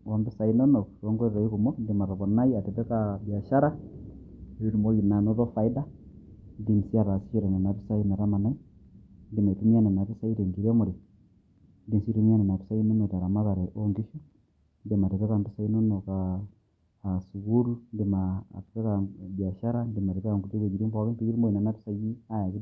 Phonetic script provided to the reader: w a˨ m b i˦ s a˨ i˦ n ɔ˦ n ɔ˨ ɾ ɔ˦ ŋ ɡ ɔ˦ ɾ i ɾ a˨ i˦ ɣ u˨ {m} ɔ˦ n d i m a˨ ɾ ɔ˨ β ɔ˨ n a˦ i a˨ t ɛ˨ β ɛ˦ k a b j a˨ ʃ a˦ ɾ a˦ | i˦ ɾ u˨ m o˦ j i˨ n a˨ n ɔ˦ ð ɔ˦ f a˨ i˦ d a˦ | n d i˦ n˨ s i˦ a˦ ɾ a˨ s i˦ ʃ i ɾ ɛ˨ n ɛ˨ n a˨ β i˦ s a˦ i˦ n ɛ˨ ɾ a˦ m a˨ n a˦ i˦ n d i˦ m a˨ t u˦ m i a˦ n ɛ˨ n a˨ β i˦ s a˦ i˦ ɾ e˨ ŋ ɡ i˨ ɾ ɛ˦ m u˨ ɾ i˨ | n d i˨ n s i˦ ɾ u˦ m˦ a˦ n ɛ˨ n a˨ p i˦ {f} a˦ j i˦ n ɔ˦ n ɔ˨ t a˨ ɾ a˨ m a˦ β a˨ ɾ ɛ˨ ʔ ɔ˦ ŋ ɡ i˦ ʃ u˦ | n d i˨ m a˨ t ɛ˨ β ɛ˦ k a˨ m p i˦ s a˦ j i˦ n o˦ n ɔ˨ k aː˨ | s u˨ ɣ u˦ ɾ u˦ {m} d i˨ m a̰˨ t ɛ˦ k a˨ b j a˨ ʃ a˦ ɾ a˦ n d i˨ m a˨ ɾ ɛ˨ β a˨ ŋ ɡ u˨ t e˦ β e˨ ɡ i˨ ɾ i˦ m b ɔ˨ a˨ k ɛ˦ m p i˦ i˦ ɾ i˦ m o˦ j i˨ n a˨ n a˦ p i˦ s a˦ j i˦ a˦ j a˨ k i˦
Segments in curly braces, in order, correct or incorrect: correct, incorrect: s, incorrect: n

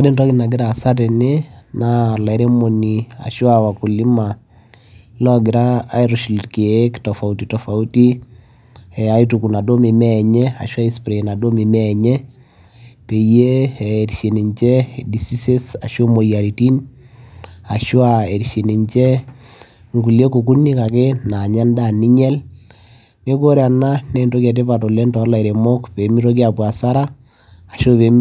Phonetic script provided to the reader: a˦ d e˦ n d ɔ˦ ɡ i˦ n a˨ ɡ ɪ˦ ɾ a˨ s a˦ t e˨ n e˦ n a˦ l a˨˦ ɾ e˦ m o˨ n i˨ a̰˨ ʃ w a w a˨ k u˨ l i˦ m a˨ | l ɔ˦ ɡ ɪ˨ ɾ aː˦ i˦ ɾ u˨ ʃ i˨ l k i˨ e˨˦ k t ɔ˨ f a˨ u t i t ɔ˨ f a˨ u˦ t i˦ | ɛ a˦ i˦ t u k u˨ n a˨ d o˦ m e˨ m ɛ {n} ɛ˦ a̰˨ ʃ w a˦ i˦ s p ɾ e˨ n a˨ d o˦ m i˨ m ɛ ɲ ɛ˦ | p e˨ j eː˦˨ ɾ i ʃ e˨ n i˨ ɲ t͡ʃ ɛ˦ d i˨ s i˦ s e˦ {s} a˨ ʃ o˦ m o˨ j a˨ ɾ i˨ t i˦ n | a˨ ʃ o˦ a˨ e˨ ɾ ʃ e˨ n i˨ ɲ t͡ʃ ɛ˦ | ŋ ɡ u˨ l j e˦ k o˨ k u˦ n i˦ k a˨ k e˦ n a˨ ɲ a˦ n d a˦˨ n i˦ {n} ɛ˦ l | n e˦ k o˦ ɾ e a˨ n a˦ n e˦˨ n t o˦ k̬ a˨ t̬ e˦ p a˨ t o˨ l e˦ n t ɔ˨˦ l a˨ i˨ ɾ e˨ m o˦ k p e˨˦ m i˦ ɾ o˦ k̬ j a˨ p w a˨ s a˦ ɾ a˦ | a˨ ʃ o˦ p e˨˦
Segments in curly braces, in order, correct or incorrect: incorrect: ɲ, correct, incorrect: ɲ

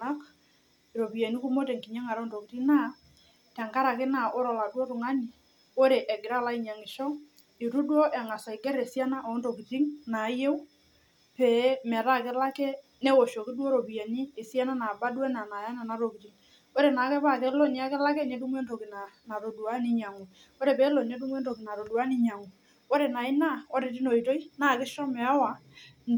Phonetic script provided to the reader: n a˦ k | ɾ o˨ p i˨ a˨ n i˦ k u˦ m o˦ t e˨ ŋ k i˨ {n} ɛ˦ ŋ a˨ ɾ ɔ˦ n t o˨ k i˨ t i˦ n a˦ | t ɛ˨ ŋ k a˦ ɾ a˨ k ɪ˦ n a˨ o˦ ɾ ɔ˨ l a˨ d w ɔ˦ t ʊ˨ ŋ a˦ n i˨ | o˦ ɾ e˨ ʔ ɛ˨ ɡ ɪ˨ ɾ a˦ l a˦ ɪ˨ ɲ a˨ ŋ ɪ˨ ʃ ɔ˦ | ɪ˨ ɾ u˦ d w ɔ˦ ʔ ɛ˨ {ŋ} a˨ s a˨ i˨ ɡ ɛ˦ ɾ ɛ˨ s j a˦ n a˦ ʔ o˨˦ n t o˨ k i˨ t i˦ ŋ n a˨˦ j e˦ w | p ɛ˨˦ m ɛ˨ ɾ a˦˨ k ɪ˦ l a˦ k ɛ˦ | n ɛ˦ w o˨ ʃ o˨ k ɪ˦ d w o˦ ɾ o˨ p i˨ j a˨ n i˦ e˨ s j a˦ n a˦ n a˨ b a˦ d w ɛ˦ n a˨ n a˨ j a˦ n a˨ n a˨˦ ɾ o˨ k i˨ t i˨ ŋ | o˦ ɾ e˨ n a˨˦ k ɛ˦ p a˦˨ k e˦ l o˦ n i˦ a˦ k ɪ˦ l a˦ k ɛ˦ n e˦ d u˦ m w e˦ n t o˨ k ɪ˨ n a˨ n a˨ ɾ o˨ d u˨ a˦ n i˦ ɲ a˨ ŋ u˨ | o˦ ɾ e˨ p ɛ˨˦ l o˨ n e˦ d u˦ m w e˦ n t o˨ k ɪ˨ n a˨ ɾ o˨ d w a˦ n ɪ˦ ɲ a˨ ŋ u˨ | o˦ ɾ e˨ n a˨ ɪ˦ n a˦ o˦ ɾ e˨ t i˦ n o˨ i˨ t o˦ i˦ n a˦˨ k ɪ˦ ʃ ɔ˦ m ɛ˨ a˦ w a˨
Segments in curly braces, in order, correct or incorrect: incorrect: ɲ, correct

